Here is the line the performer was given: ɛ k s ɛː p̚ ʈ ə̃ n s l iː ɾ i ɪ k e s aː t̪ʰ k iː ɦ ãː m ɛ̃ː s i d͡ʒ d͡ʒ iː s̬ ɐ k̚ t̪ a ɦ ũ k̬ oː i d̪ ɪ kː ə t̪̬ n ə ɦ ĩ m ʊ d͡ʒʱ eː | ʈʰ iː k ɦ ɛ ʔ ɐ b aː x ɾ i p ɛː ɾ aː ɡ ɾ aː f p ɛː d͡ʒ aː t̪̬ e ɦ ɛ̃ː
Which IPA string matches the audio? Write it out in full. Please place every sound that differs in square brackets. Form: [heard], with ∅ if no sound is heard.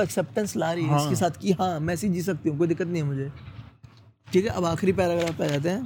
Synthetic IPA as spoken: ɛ k s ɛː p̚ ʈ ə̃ n s l [aː] ɾ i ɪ k e s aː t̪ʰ k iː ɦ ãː m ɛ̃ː s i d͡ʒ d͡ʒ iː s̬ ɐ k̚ t̪ [i] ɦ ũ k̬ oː i d̪ ɪ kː ə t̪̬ n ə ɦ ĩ m ʊ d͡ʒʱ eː | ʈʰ iː k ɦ ɛ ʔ ɐ b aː x ɾ i p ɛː ɾ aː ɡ ɾ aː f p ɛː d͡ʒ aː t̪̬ e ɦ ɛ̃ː